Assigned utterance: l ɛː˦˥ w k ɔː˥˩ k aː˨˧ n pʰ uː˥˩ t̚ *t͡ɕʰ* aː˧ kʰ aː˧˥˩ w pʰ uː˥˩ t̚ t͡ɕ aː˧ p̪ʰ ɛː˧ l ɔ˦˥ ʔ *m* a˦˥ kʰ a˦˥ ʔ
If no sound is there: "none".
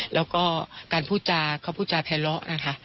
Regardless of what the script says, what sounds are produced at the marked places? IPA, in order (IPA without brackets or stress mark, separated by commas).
t͡ɕ, n